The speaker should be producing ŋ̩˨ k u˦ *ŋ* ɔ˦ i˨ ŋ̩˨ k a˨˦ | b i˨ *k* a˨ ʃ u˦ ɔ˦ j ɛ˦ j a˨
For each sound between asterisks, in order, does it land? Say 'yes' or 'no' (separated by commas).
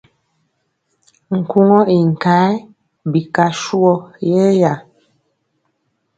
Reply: yes, yes